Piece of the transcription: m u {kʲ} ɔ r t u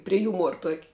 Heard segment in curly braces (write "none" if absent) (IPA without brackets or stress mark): none